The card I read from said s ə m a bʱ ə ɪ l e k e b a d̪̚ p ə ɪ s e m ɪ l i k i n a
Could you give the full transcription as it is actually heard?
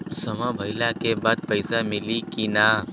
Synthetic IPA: s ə m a bʱ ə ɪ l a k e b a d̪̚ p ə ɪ s a m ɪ l i k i n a